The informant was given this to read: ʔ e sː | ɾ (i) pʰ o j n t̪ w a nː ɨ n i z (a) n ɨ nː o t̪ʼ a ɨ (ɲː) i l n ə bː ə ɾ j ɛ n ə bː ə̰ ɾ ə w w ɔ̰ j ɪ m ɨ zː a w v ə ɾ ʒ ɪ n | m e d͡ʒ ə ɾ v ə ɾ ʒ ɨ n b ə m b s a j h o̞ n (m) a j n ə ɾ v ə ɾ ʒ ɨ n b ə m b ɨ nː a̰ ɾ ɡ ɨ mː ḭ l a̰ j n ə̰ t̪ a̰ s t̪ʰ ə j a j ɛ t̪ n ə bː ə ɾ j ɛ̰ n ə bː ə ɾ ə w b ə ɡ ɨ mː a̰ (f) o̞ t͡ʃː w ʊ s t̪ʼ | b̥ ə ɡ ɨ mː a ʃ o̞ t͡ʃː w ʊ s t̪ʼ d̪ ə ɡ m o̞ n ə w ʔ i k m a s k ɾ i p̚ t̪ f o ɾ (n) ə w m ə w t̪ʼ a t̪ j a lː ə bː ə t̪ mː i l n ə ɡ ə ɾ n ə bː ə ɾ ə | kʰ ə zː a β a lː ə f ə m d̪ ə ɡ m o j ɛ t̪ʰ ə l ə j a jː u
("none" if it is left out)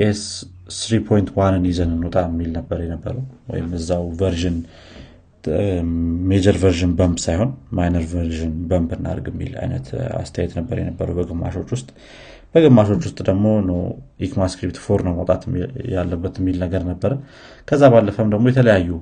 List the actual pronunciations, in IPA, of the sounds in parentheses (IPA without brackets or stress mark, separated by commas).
i, ə, mː, m, ʃ, n